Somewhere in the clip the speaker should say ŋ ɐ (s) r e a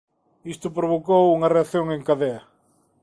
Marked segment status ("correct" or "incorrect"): incorrect